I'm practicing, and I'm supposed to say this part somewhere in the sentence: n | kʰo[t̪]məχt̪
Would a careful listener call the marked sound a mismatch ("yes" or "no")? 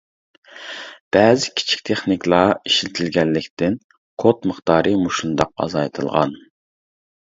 no